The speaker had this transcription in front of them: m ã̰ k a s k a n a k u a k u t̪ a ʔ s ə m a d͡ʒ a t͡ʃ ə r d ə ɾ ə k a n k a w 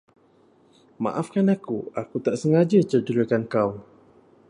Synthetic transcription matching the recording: m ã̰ ʔ a f k a n a k u a k u t̪ a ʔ s ə ŋ a d͡ʒ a t͡ʃ ə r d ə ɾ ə k a n k a w